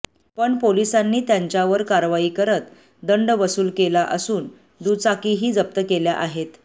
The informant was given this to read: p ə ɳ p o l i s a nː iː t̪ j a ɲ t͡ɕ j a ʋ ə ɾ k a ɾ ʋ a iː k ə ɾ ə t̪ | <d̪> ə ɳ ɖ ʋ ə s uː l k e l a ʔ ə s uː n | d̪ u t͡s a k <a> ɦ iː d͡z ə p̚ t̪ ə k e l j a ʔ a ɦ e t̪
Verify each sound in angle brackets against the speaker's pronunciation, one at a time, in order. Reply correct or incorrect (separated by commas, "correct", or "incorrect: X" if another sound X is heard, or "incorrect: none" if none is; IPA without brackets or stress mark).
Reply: correct, incorrect: i